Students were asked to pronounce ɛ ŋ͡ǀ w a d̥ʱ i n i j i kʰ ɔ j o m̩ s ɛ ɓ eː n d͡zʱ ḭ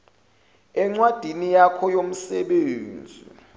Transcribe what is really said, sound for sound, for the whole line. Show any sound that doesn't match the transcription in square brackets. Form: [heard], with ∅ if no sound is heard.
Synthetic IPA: ɛ ŋ͡ǀ w a d̥ʱ i n i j [a] kʰ ɔ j o m̩ s ɛ ɓ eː n d͡zʱ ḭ